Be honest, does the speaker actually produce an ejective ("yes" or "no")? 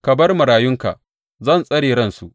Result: yes